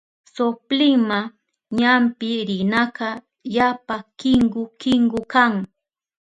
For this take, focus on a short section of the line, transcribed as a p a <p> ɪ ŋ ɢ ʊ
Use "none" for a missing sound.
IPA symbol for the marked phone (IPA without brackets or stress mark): k